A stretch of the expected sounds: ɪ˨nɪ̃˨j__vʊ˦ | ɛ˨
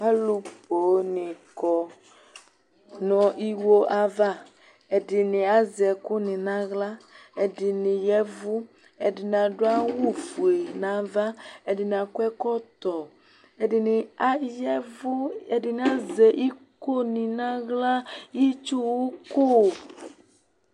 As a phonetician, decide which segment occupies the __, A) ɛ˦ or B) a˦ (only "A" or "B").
A